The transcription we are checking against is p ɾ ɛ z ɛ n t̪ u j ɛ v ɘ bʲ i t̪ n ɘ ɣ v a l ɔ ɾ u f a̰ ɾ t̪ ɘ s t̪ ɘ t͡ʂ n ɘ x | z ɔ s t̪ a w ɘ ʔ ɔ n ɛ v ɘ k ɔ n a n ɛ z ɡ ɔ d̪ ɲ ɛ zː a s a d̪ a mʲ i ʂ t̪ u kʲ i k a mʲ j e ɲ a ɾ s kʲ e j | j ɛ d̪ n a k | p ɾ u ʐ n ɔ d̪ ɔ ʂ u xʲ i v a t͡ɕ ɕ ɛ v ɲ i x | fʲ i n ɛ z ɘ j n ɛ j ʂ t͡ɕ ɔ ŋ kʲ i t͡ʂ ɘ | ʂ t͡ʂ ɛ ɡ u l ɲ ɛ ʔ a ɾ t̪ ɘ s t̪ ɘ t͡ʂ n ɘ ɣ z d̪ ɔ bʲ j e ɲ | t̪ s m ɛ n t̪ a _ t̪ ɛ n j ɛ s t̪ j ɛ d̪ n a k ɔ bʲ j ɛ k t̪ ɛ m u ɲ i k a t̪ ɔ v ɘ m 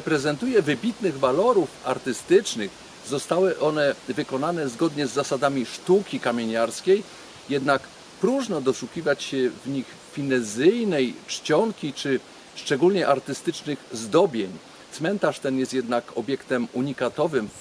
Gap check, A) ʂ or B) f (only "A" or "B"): A